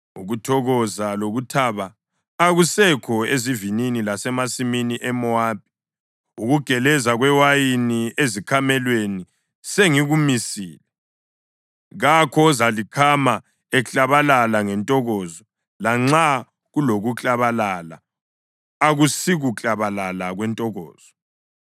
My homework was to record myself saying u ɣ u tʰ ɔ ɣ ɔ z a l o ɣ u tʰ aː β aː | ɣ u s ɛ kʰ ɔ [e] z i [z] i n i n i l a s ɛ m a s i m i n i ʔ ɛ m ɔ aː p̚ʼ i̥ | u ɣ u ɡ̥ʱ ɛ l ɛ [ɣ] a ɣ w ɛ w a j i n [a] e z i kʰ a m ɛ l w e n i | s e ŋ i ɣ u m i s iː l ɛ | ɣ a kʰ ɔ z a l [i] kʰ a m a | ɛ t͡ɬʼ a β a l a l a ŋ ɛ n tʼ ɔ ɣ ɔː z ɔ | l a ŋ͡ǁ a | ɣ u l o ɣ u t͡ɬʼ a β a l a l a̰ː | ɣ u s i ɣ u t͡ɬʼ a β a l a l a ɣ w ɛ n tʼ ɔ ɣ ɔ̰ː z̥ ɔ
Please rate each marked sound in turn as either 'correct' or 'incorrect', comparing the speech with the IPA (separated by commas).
correct, incorrect, incorrect, incorrect, correct